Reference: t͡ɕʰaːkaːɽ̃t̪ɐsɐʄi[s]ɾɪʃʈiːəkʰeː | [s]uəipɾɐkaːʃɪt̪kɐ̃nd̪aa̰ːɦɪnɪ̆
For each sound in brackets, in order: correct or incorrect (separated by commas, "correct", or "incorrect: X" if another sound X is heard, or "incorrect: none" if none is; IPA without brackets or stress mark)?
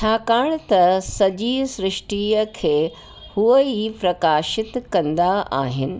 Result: correct, incorrect: h